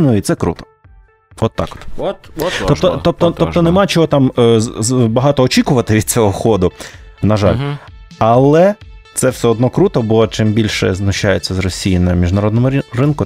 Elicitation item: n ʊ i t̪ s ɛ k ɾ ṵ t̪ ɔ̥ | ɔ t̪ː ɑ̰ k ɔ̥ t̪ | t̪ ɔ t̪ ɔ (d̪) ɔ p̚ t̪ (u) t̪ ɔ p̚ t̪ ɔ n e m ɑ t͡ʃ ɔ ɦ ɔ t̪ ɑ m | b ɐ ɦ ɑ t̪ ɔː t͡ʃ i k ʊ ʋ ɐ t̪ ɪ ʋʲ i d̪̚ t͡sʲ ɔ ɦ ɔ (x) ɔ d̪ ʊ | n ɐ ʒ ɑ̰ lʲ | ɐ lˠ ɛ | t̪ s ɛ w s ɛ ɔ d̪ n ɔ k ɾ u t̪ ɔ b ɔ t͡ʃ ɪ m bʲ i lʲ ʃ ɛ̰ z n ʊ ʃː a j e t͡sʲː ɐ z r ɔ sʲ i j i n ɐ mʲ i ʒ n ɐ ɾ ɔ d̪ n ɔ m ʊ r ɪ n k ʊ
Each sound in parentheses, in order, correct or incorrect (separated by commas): incorrect, incorrect, correct